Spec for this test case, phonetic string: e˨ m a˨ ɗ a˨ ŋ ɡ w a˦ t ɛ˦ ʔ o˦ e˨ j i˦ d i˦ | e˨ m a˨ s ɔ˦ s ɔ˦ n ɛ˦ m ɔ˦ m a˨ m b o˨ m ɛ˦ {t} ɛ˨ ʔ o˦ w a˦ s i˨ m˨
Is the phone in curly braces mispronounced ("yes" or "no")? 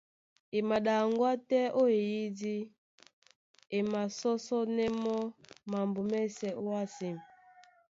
yes